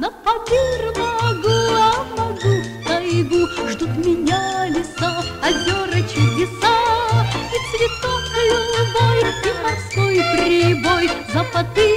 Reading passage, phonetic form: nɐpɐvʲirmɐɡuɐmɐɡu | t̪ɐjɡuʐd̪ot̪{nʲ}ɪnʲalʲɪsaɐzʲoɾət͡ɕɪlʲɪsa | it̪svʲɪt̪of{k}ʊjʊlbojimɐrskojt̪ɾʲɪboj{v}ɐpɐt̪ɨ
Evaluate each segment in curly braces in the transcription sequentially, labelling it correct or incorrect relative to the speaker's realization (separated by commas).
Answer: incorrect, correct, incorrect